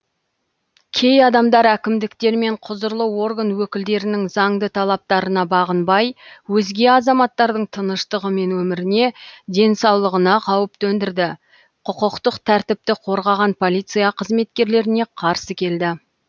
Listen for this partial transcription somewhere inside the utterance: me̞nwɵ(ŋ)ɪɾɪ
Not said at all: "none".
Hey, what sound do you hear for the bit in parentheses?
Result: m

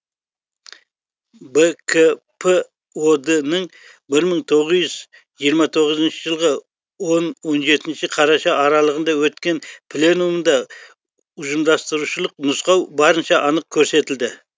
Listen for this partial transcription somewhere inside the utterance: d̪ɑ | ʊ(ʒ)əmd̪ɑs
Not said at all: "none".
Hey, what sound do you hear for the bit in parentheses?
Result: ʒ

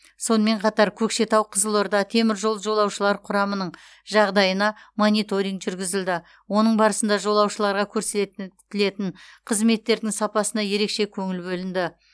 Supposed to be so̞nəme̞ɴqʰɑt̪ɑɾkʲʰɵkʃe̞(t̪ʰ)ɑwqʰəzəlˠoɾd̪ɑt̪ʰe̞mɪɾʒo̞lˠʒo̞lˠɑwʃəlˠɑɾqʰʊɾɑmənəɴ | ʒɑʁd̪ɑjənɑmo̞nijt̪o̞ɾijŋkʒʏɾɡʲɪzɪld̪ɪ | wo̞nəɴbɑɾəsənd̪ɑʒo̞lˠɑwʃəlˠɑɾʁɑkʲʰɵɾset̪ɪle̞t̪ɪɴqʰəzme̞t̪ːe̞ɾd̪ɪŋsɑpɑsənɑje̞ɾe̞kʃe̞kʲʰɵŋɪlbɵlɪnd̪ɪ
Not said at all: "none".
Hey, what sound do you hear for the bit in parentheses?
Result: t̪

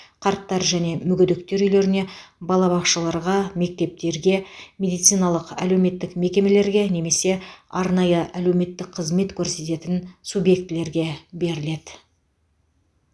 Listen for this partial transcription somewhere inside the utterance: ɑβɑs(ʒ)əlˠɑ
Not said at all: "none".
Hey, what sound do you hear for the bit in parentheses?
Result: ʃ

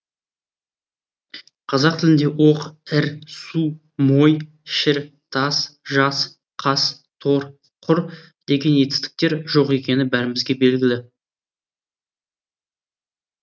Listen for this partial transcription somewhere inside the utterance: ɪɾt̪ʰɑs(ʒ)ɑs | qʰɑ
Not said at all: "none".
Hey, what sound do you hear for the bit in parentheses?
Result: ʒ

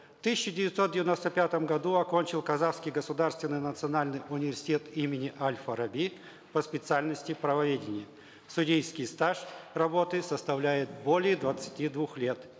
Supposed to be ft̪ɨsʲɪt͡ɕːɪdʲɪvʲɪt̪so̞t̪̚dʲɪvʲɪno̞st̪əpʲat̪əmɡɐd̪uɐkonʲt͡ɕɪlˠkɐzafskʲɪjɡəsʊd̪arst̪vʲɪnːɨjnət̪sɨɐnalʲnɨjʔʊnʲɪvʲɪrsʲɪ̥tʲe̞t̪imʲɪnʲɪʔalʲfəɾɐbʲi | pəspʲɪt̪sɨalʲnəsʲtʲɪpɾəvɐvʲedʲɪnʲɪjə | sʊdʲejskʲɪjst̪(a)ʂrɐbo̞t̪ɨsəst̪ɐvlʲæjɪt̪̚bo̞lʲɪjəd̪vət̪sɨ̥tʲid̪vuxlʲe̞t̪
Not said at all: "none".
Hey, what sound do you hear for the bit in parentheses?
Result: a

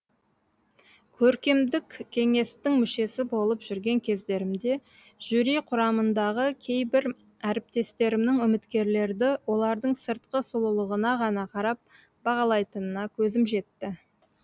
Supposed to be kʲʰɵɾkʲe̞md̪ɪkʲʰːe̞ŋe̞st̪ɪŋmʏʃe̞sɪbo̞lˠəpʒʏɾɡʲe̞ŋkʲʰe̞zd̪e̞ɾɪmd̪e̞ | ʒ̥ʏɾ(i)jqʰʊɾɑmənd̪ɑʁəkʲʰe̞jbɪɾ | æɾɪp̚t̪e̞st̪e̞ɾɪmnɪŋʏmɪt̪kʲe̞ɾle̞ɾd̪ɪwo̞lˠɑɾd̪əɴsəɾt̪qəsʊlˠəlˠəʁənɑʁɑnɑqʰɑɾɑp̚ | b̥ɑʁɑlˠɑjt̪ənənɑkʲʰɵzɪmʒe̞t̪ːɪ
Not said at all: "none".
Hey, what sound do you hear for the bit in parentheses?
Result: i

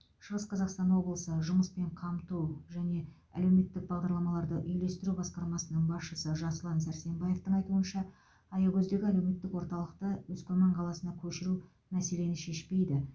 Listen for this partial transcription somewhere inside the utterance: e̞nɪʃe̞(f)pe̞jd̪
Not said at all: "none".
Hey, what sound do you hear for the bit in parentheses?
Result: ʃ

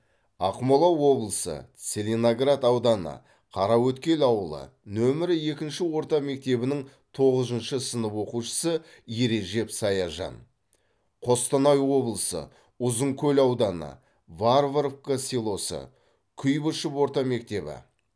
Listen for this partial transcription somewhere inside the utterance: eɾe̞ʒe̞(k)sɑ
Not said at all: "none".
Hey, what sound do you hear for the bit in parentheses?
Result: p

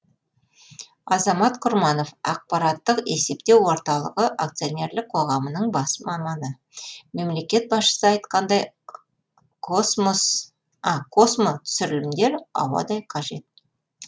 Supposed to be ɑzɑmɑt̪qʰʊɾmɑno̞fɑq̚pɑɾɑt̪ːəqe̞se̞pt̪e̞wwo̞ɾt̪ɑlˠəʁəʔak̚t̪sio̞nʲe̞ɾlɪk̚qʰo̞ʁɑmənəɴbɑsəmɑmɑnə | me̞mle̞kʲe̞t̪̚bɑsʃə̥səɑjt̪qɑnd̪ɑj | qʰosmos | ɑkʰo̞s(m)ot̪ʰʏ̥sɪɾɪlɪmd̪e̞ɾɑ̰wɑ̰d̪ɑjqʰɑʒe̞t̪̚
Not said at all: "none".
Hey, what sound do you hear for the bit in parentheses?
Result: m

